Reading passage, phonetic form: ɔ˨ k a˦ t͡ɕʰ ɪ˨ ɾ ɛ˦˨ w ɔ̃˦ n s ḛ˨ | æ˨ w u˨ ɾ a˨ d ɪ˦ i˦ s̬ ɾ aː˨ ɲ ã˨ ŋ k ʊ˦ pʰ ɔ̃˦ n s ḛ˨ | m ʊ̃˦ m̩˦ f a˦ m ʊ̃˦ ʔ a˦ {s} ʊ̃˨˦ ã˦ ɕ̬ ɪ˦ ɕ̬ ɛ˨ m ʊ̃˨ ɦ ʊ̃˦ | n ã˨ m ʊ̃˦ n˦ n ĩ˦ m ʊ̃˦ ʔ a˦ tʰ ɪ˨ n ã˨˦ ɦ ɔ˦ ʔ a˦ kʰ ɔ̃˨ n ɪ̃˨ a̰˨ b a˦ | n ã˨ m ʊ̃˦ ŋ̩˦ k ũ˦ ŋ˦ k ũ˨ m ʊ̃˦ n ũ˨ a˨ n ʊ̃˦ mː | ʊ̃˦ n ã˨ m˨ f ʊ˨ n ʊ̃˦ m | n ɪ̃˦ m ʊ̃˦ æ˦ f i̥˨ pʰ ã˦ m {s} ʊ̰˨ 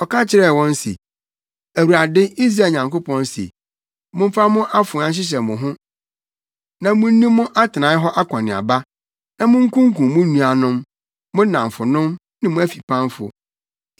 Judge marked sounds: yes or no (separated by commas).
no, no